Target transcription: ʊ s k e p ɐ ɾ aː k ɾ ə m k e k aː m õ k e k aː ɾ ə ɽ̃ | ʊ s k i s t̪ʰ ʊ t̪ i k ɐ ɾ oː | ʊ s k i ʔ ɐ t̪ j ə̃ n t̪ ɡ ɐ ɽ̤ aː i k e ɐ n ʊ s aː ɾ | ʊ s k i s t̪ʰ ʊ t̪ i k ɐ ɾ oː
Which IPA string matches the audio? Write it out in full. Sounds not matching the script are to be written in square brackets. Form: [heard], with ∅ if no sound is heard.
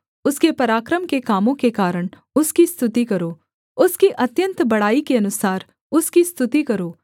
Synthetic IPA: ʊ s k e p ɐ ɾ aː k ɾ ə m k e k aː m õ k e k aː ɾ ə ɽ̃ | ʊ s k i s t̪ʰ ʊ t̪ i k ɐ ɾ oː | ʊ s k i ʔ ɐ t̪ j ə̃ n t̪ [b] ɐ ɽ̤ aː i k e ɐ n ʊ s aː ɾ | ʊ s k i s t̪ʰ ʊ t̪ i k ɐ ɾ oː